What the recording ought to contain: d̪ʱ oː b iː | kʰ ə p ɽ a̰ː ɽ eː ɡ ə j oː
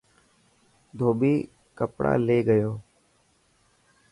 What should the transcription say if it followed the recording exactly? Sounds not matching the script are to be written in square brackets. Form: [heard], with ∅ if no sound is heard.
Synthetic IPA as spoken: d̪ʱ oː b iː | [k] ə p ɽ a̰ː [l] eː ɡ ə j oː